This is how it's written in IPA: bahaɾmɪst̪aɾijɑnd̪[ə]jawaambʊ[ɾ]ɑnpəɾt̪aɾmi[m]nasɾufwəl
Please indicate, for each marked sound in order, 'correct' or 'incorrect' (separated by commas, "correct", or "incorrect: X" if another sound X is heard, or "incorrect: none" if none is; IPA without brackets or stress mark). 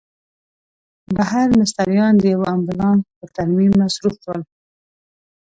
correct, incorrect: l, correct